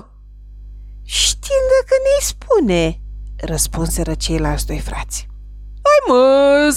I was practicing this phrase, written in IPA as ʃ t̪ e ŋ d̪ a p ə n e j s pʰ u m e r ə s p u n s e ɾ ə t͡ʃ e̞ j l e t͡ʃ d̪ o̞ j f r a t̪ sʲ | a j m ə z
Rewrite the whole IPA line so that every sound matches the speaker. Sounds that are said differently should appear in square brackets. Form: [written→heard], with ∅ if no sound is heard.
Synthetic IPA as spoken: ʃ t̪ [e→i] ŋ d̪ a [p→k] ə n e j s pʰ u [m→n] e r ə s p u n s e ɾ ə t͡ʃ e̞ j l [e→a] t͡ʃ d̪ o̞ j f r a t̪ sʲ | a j m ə z